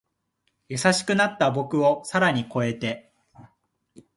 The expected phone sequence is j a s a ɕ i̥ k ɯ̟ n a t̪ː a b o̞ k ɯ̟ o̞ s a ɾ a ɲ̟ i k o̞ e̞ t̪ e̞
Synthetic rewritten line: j a s a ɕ i̥ k ɯ̟ n a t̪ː a b o̞ k ɯ̟ o̞ s a ɾ a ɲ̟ i k o̞ e̞ t̪ e̞